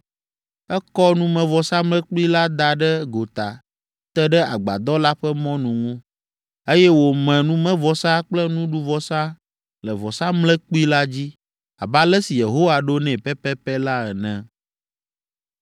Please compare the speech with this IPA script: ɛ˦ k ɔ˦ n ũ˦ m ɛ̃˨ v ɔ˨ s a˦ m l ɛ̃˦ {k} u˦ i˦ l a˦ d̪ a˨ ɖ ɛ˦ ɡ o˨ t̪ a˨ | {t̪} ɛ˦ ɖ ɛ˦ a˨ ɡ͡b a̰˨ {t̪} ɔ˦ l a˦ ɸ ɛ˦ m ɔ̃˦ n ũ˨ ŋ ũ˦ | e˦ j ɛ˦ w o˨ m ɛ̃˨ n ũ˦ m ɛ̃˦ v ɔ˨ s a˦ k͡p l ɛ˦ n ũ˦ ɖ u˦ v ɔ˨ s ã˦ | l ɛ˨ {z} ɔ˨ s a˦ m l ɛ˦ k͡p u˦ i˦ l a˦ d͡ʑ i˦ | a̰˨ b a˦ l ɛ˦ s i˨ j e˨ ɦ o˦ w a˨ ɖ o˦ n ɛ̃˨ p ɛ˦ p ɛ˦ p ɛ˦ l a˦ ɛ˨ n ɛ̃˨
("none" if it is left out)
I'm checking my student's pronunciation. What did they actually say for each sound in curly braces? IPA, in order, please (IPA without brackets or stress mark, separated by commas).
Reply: k͡p, t̪, d̪, v